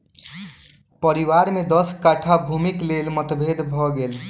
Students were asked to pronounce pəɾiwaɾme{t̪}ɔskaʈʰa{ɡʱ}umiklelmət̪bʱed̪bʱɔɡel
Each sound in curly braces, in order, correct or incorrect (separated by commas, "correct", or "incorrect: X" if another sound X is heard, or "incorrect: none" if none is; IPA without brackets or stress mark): incorrect: d̪, incorrect: bʱ